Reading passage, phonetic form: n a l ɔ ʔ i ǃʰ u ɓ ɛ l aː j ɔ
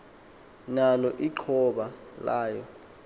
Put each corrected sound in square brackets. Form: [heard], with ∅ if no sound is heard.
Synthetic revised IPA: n a l ɔ ʔ i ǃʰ [ɔ] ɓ [a] l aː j ɔ